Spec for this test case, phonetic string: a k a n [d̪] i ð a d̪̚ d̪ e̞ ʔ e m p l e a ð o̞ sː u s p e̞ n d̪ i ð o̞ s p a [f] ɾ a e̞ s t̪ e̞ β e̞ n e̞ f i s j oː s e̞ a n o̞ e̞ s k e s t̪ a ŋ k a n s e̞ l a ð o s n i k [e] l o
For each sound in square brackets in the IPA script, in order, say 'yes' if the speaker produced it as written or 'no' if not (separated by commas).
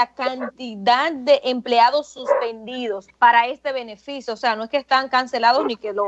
no, no, yes